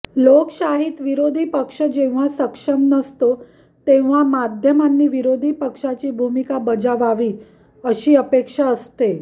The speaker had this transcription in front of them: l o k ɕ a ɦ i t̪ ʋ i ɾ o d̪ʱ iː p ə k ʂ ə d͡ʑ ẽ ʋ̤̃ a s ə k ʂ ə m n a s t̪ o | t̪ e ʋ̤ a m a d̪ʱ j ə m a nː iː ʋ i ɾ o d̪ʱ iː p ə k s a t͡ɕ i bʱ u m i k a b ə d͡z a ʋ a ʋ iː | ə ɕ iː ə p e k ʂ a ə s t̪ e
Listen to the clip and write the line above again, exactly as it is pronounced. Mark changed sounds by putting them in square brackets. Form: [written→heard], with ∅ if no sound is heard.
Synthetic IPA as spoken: l o k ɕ a ɦ i t̪ ʋ i ɾ o d̪ʱ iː p ə k ʂ ə d͡ʑ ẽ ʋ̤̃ a s ə k ʂ ə m n [a→ə] s t̪ o | t̪ e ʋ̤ a m a d̪ʱ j ə m a nː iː ʋ i ɾ o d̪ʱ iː p ə k [s→ʂ] a t͡ɕ [i→iː] bʱ u m i k a b ə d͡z a ʋ a ʋ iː | ə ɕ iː ə p e k ʂ a ə s t̪ e